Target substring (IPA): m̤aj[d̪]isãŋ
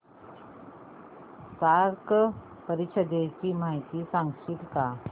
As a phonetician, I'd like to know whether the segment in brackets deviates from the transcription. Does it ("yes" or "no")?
yes